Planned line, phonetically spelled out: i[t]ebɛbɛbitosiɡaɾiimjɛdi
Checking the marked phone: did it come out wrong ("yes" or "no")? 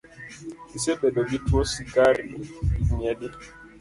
yes